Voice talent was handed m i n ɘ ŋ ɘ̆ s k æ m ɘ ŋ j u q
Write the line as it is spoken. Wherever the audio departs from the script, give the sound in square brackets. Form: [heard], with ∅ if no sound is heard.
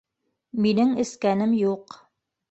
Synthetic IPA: m i n ɘ ŋ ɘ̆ s k æ [n] ɘ [m] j u q